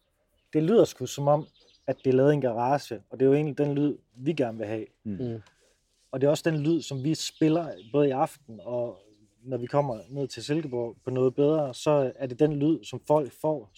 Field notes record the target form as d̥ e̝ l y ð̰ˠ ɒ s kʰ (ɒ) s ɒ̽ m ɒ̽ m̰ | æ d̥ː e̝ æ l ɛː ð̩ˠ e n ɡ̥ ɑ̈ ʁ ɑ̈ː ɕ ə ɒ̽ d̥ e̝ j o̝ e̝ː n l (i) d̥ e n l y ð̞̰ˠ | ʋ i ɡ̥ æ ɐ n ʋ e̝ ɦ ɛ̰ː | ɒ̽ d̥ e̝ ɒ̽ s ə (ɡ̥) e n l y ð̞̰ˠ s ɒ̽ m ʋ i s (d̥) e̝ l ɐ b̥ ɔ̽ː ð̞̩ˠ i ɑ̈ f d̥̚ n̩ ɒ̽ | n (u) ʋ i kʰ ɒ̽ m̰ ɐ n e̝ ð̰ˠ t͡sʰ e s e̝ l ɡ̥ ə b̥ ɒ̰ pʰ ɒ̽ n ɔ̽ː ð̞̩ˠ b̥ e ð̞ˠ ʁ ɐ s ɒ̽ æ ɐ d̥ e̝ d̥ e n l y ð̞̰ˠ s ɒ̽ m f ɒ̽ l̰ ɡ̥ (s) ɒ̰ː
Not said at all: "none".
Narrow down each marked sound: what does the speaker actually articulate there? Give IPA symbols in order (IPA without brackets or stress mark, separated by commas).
u, i, d̥, b̥, ɒ, f